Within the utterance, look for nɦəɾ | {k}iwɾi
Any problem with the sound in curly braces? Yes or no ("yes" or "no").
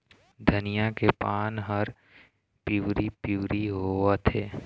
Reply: yes